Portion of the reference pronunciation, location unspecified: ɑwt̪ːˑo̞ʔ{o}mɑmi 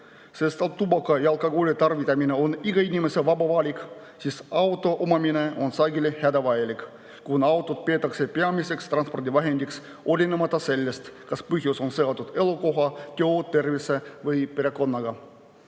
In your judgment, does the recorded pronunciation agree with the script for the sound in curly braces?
yes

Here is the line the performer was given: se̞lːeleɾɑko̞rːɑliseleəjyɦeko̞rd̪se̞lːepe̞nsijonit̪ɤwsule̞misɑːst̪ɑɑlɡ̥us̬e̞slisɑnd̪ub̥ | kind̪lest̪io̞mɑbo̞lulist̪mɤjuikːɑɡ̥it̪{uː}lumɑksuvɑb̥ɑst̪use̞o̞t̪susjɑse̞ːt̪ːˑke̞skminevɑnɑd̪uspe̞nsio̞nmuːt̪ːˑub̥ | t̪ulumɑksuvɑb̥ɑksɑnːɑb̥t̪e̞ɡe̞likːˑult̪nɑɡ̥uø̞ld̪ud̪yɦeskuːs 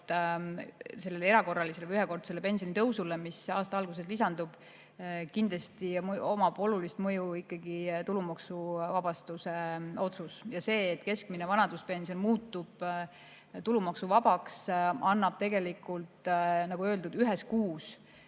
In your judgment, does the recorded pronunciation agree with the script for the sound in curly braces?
no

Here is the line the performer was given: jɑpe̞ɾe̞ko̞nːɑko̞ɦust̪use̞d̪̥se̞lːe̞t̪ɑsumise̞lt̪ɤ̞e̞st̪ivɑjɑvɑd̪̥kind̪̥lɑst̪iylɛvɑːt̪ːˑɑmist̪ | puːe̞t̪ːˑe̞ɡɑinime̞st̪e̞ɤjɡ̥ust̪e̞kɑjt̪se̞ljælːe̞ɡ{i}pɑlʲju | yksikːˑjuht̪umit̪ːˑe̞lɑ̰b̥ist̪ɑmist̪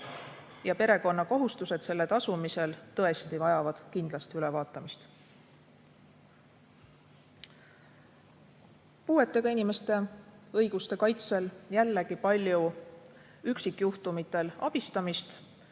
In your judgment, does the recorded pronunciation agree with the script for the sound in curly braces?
yes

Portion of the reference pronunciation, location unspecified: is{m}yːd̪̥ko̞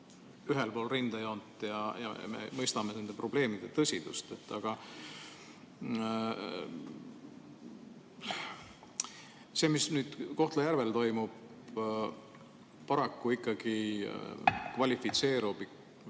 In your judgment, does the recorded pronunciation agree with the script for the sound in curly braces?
no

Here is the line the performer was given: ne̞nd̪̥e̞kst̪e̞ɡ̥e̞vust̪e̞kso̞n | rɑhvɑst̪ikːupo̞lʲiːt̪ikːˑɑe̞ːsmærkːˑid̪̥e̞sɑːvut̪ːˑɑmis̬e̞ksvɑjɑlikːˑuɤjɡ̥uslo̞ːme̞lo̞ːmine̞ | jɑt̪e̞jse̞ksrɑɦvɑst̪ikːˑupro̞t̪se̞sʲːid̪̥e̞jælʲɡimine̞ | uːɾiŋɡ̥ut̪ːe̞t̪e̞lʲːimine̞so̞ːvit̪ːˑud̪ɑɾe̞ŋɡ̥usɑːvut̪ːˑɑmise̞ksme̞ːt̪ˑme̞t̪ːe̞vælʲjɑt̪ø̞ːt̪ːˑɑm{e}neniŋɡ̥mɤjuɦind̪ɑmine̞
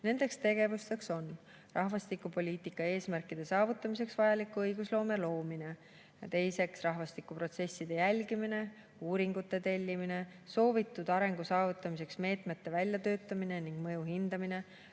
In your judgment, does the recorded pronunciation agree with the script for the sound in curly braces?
no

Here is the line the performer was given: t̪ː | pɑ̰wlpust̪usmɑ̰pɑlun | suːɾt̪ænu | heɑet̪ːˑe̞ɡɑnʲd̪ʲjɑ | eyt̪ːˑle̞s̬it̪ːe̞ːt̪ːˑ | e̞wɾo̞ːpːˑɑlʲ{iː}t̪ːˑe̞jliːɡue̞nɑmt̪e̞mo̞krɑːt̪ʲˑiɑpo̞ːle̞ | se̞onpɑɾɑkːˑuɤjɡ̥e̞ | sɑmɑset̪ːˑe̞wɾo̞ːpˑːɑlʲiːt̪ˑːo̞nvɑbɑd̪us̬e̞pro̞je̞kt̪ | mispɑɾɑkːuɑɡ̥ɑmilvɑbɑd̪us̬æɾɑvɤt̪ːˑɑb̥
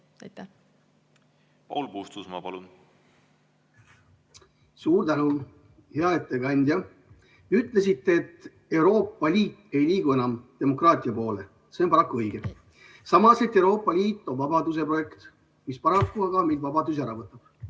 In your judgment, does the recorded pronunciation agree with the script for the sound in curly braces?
yes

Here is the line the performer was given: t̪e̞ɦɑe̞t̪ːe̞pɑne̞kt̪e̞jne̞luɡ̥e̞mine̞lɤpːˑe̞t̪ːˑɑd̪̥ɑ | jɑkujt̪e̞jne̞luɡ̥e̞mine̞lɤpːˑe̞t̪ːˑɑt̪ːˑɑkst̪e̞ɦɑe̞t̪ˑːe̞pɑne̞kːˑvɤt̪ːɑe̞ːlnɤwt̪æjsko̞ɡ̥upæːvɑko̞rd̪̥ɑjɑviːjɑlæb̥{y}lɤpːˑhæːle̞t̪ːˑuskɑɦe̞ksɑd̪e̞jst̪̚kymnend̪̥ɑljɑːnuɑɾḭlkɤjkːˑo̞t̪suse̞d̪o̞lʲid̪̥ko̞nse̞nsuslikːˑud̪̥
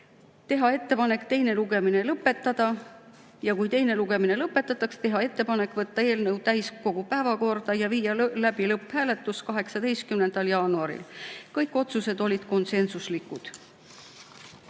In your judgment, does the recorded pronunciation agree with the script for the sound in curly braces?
no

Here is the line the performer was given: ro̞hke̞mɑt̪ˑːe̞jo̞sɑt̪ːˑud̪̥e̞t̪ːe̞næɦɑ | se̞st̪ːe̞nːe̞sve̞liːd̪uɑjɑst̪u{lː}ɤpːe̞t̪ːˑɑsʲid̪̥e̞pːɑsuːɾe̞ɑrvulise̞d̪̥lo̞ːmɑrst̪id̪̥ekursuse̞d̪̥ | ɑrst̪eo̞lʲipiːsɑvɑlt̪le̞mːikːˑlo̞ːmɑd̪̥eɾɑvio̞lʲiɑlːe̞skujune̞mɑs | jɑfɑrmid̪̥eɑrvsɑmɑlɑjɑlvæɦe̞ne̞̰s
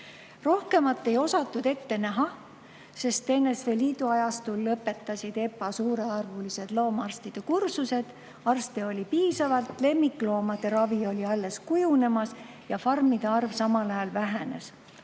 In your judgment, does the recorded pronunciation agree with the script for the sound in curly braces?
yes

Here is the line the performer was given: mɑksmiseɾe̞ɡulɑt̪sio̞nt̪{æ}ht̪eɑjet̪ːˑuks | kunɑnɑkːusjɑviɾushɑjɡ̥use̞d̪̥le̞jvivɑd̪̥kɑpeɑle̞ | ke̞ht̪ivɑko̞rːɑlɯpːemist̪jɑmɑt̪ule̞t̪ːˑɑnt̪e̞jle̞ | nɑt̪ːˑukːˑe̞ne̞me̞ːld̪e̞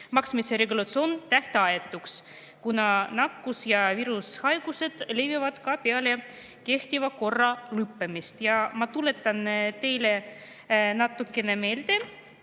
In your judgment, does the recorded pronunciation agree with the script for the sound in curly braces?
yes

